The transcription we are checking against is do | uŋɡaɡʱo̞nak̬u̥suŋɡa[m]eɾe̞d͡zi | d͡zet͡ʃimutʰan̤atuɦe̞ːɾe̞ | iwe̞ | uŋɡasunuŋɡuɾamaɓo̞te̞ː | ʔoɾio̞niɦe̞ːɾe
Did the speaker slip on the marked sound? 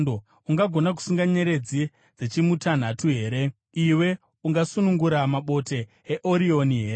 yes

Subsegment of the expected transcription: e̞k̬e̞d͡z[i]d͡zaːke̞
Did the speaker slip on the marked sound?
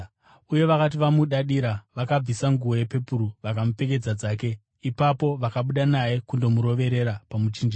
yes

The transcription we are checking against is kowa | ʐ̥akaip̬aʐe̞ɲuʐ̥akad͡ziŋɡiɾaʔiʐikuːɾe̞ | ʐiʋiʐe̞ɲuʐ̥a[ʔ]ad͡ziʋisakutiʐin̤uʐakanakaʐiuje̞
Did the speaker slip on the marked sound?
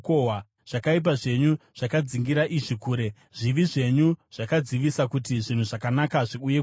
yes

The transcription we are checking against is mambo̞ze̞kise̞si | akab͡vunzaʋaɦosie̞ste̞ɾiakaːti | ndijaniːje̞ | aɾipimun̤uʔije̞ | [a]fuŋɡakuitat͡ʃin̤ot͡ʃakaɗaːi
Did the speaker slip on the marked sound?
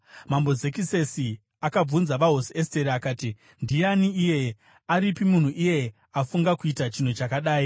no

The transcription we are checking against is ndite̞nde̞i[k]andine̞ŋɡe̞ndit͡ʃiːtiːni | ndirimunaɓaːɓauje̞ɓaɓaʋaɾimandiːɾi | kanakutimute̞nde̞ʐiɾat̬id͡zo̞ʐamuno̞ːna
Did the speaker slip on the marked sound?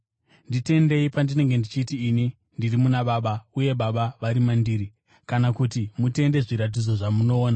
yes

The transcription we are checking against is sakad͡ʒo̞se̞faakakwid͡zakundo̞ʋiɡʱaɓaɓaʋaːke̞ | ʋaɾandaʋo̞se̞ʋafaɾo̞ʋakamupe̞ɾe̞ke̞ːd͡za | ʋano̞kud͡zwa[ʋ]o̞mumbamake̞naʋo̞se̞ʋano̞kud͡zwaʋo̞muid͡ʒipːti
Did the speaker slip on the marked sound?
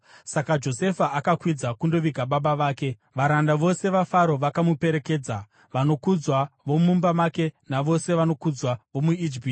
no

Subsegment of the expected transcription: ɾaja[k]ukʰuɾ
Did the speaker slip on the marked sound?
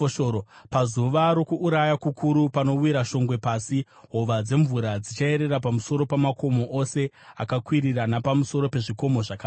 no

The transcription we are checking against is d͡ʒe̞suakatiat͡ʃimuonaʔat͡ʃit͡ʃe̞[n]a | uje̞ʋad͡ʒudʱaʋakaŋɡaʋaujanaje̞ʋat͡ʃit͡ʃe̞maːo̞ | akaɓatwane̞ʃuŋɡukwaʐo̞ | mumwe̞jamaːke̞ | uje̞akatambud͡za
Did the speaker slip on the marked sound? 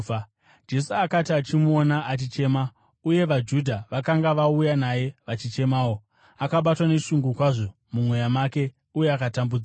yes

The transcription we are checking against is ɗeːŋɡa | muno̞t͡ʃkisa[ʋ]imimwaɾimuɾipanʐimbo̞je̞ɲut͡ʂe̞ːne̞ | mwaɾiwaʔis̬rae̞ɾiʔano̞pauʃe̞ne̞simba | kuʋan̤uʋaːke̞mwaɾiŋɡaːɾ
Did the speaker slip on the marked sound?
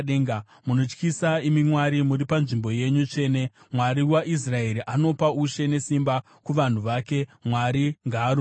yes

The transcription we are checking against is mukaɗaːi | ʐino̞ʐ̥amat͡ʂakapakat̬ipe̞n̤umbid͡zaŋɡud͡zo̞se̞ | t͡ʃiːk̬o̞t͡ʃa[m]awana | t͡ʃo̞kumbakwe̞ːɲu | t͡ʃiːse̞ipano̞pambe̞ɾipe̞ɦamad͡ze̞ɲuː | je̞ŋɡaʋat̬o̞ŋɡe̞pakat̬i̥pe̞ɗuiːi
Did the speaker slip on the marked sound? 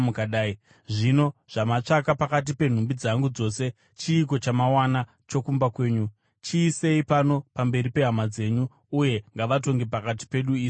no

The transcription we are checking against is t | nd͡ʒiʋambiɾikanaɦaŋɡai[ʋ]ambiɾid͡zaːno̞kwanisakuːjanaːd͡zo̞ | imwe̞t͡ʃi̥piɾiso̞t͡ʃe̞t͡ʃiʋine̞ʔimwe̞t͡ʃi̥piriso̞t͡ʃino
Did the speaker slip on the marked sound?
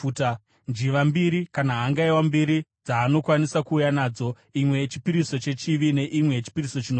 yes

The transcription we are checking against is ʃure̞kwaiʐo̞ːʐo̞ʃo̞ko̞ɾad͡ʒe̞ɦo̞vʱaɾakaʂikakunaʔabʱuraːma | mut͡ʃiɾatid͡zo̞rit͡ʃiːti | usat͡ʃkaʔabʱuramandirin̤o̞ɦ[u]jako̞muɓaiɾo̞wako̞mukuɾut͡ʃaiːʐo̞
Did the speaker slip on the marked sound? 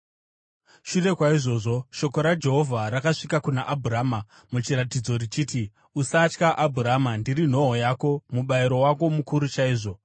yes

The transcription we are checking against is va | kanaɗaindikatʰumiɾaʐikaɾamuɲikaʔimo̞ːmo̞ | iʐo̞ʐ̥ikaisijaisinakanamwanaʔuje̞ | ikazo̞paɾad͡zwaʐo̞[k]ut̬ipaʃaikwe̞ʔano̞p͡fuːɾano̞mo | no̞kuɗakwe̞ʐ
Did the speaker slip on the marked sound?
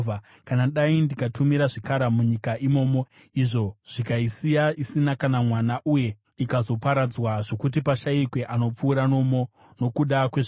no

